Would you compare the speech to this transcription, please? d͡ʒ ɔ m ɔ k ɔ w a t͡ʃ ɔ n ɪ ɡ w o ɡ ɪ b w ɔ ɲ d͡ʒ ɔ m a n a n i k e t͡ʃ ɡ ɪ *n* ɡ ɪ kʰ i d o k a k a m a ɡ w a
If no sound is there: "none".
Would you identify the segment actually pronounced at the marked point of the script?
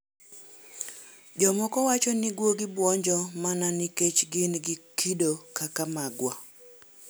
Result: n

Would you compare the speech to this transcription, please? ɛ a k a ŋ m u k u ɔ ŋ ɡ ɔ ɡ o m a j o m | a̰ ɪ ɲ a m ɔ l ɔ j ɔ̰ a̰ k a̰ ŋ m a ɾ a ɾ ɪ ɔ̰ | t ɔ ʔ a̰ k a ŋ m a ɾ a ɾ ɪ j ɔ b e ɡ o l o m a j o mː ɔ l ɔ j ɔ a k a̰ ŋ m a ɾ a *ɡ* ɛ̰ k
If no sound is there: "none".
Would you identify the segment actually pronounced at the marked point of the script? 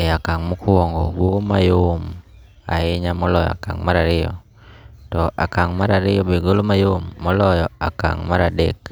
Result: d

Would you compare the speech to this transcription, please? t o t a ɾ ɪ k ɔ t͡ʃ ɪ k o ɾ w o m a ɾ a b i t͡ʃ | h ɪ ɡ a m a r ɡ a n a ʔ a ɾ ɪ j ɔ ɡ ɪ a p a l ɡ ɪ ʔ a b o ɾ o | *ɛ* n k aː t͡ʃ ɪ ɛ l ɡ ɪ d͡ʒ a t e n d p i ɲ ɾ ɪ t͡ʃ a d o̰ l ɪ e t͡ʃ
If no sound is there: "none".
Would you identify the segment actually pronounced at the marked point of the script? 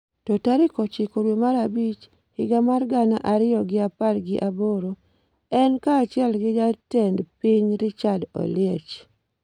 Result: ɛ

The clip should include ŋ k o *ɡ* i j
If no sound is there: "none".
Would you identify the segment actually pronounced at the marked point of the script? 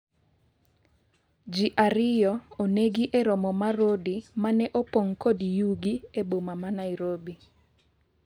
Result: d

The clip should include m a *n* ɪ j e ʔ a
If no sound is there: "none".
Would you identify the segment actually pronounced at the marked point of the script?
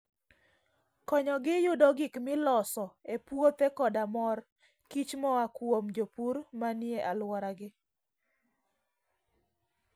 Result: n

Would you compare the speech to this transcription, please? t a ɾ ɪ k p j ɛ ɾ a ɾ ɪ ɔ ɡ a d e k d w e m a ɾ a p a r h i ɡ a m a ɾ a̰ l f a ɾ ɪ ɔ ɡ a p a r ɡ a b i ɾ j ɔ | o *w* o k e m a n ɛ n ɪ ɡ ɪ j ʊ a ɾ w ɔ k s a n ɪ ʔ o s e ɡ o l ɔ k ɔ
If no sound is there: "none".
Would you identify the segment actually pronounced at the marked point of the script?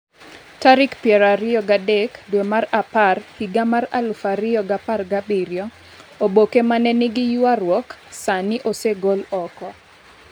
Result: b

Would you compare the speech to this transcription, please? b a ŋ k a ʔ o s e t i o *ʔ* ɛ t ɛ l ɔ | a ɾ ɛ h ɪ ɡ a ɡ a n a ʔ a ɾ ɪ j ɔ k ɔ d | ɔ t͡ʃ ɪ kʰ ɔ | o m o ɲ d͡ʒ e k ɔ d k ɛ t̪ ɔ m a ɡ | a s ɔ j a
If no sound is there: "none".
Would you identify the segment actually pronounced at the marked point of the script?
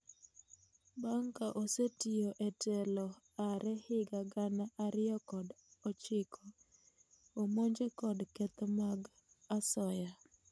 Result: ʔ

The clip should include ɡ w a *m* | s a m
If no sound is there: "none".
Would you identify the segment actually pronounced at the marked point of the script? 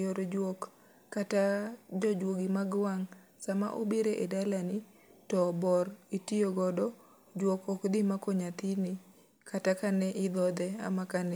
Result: ŋ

